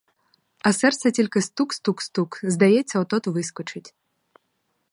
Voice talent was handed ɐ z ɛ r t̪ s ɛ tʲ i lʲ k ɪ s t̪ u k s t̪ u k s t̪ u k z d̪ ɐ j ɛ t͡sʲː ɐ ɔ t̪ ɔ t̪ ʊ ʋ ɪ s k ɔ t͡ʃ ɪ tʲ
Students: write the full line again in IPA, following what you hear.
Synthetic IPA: ɐ s ɛ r t̪ s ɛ tʲ i lʲ k ɪ s t̪ u k s t̪ u k s t̪ u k z d̪ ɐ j ɛ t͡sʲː ɐ ɔ t̪ ɔ t̪ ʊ ʋ ɪ s k ɔ t͡ʃ ɪ tʲ